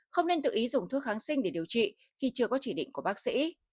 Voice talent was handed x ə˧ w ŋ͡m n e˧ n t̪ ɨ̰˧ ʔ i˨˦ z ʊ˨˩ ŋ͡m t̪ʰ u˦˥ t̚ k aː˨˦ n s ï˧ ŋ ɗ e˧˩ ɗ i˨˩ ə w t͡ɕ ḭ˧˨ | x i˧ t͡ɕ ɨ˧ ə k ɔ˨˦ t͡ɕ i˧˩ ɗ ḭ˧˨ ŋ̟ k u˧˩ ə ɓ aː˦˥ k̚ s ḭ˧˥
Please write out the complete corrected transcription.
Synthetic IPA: x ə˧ w ŋ͡m n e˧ n t̪ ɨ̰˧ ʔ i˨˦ z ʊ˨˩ ŋ͡m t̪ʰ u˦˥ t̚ x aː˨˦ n s ï˧ ŋ ɗ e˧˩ ɗ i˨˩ ə w t͡ɕ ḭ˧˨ | x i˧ t͡ɕ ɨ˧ ə k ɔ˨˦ t͡ɕ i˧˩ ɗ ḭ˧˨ ŋ̟ k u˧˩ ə ɓ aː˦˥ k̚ s ḭ˧˥